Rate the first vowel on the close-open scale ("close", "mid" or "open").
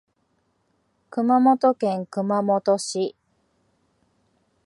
close